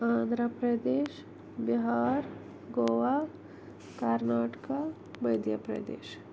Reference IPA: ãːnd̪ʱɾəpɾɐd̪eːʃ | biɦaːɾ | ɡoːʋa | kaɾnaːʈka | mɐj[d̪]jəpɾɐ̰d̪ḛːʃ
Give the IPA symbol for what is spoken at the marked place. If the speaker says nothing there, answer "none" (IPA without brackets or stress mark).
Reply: d̪